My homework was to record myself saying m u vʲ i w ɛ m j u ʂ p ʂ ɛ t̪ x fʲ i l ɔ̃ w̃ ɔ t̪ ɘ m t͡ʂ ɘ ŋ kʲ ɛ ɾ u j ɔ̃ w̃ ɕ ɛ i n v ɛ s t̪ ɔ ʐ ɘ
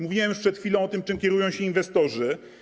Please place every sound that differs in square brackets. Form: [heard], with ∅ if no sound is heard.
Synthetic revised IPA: m u vʲ i w ɛ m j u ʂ p ʂ ɛ t̪ x fʲ i l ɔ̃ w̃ ɔ t̪ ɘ m t͡ʂ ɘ [m] kʲ ɛ ɾ u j ɔ̃ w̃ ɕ ɛ i n v ɛ s t̪ ɔ ʐ ɘ